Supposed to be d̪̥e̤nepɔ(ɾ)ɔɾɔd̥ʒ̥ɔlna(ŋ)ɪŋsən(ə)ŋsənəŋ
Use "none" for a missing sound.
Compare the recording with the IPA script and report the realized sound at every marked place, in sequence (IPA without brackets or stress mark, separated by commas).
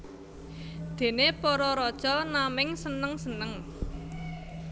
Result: ɾ, m, ə